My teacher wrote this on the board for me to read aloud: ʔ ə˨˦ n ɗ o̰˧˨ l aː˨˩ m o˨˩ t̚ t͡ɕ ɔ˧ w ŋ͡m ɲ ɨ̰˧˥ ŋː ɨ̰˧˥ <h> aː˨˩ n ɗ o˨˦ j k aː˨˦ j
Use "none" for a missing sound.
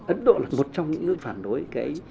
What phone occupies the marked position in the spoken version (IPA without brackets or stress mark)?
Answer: f